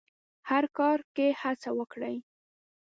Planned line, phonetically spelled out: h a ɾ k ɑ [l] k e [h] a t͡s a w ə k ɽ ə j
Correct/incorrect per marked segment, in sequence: incorrect: ɾ, correct

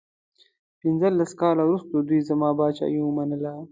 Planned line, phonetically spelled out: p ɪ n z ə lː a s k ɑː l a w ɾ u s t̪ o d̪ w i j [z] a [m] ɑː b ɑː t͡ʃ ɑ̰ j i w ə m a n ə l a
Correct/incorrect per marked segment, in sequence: correct, correct

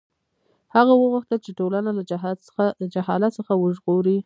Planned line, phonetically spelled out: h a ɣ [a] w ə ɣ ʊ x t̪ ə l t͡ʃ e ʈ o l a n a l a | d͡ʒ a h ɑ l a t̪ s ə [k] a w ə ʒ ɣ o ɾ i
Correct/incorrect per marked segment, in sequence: correct, incorrect: x

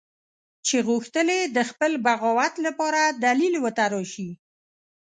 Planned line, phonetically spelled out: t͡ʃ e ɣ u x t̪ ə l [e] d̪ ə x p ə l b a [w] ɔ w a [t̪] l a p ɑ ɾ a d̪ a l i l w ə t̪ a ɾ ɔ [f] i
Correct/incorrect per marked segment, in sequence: correct, incorrect: ɣ, correct, incorrect: ʃ

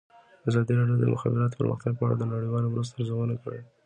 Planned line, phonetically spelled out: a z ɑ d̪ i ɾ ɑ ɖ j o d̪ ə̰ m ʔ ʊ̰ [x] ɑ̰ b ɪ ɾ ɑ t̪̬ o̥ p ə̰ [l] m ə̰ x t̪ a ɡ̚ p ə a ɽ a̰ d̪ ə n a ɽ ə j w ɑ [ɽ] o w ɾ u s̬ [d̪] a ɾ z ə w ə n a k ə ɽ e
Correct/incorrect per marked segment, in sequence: correct, incorrect: ɾ, incorrect: l, incorrect: t̪

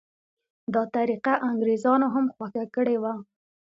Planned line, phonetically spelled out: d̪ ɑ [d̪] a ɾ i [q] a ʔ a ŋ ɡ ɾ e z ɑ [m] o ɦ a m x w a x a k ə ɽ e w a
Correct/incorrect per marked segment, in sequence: incorrect: t̪, correct, incorrect: n

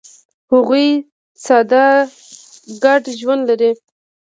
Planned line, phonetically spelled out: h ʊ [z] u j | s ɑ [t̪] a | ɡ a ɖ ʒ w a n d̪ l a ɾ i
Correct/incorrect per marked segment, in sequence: incorrect: ɣ, incorrect: d̪

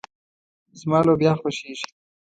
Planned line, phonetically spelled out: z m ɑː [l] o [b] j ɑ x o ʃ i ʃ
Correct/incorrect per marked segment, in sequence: correct, correct

